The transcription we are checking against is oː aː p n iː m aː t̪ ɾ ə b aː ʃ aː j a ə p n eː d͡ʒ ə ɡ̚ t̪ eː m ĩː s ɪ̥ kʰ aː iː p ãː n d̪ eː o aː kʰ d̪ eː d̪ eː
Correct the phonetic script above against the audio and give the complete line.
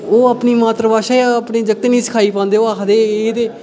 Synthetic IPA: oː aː p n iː m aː t̪ ɾ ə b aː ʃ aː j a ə p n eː d͡ʒ ə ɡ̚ t̪ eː n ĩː s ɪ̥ kʰ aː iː p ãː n d̪ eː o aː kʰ d̪ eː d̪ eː